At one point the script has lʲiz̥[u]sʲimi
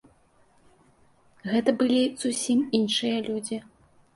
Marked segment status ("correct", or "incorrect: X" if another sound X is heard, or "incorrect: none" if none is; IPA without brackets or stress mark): correct